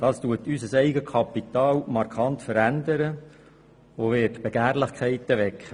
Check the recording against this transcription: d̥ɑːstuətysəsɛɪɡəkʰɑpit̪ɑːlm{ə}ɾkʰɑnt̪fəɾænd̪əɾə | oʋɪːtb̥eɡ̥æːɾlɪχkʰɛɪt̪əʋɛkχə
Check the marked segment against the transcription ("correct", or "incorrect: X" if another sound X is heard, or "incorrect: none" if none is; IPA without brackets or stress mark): incorrect: ɑ